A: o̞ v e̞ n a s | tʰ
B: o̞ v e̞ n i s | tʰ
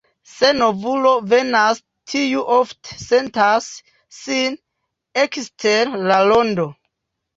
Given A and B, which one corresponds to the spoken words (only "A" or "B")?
A